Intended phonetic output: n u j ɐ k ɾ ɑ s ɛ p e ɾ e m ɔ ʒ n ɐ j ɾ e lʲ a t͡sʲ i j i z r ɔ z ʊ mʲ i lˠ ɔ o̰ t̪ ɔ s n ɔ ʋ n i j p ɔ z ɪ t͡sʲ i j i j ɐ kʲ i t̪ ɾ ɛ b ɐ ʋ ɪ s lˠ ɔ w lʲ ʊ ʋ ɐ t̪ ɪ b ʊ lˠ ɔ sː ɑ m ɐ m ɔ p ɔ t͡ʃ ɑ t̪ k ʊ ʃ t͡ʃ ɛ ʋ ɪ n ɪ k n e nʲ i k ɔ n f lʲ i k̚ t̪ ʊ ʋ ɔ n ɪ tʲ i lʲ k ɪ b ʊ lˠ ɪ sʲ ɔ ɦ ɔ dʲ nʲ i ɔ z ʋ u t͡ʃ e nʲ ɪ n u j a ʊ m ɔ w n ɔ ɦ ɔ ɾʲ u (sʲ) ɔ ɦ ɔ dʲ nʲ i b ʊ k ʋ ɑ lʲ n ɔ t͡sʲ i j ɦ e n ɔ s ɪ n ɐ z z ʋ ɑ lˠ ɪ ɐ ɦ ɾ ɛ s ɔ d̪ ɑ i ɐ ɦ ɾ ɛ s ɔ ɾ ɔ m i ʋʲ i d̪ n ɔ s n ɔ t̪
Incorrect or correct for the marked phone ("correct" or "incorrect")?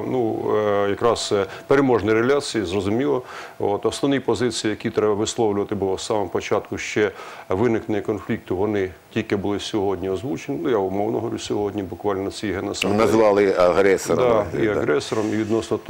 correct